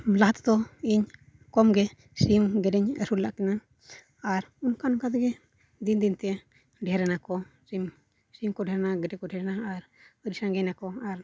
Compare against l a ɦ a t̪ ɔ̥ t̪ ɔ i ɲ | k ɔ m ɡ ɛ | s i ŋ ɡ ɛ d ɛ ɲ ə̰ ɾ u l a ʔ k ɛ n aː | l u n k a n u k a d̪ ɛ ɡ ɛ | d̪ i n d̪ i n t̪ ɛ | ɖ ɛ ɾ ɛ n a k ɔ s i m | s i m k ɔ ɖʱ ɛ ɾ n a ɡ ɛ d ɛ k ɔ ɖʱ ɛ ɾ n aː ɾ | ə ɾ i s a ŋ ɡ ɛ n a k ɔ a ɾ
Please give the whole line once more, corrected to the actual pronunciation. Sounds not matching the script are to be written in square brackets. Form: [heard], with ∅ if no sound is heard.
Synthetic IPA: l a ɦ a t̪ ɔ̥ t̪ ɔ i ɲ | k ɔ m ɡ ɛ | s i [m] ɡ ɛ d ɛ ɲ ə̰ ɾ u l a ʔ k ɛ n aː | [ɾ] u n k a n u k a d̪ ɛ ɡ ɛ | d̪ i n d̪ i n t̪ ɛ | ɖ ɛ ɾ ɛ n a k ɔ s i m | s i m k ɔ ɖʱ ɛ ɾ n a ɡ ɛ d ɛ k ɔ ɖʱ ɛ ɾ n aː ɾ | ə ɾ i s a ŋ ɡ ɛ n a k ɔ a ɾ